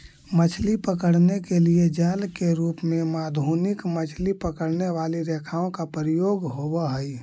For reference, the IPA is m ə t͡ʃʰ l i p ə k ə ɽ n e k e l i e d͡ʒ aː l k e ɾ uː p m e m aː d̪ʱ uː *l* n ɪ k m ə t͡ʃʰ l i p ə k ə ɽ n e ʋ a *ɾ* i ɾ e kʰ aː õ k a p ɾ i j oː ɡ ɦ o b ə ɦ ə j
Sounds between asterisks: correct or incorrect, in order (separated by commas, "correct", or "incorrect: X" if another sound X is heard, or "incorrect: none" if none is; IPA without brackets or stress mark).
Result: incorrect: none, incorrect: l